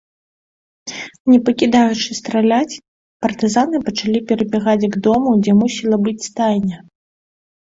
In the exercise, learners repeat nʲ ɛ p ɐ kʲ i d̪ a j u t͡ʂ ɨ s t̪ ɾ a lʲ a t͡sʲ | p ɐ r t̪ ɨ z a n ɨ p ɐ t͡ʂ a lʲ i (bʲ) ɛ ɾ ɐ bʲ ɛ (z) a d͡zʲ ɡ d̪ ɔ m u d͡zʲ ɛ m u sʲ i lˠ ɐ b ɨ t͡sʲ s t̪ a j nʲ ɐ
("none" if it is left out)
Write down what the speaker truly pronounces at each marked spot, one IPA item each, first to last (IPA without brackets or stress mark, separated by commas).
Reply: pʲ, ɣ